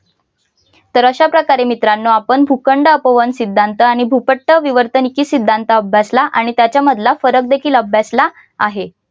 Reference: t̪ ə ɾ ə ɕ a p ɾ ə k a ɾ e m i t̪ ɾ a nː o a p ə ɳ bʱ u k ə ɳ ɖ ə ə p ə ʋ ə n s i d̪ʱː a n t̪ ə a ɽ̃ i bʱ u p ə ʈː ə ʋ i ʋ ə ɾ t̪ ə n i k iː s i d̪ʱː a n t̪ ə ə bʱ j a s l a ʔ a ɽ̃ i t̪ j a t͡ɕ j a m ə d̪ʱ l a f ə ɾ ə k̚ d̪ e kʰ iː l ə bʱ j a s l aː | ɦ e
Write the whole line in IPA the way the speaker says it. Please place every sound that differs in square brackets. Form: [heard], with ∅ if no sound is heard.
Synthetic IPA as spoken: t̪ ə ɾ ə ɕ a p ɾ ə k a ɾ e m i t̪ ɾ a nː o a p ə ɳ bʱ u k ə ɳ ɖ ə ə p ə ʋ ə n s i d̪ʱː a n t̪ ə a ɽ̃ i bʱ u p ə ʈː ə ʋ i ʋ ə ɾ t̪ ə n i k iː s i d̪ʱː a n t̪ ə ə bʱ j a s l a ʔ a ɽ̃ i t̪ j a t͡ɕ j a m ə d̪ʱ l a f ə ɾ ə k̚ d̪ e kʰ iː l ə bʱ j a s l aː | ɦ e

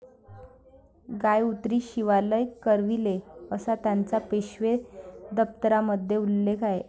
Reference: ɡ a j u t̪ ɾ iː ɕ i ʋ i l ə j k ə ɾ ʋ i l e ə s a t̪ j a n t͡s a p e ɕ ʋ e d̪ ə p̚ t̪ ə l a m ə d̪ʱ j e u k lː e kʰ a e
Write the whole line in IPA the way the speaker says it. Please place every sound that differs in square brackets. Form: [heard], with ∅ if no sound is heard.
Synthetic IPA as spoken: ɡ a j u t̪ ɾ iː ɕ i ʋ [a] l ə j k ə ɾ ʋ i l e ə s a t̪ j a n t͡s a p e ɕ ʋ e d̪ ə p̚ t̪ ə [ɾ] a m ə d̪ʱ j e u [∅] lː e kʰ a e

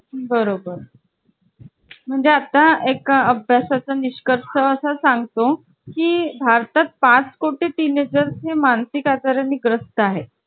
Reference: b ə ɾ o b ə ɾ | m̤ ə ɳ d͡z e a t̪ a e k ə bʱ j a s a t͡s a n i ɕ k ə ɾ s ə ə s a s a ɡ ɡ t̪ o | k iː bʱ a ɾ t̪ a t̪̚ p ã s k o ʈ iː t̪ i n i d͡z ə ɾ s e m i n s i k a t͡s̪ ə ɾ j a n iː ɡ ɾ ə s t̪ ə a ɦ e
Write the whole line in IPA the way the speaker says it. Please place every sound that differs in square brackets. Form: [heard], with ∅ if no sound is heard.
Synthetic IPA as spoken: b ə ɾ o b ə ɾ | m̤ ə ɳ d͡z e a t̪ a e k ə bʱ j a s a t͡s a n i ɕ k ə ɾ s ə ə s a s a [ŋ] ɡ t̪ o | k iː bʱ a ɾ t̪ a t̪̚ p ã [t͡s] k o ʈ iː t̪ i n [e] d͡z ə ɾ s e m [a] n s i k a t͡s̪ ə ɾ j a n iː ɡ ɾ ə s t̪ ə a ɦ e

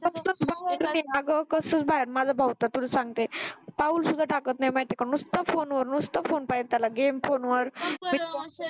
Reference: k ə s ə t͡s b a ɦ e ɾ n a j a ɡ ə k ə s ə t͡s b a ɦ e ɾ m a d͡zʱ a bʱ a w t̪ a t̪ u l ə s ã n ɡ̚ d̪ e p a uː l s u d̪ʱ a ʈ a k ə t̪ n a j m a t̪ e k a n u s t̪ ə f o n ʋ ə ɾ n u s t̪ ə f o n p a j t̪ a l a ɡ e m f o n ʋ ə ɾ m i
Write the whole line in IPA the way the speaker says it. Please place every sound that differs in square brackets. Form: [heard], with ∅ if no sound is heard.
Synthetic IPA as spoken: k ə s ə t͡s b a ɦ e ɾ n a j a ɡ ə k ə s ə t͡s b a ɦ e ɾ m a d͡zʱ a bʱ a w t̪ a t̪ u l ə s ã [ŋ] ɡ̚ [t̪] e p a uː l s u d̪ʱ a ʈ a k ə t̪ n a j m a t̪ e k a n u s t̪ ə f o n ʋ ə ɾ n u s t̪ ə f o n p a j t̪ a l a ɡ e m f o n ʋ ə ɾ m i

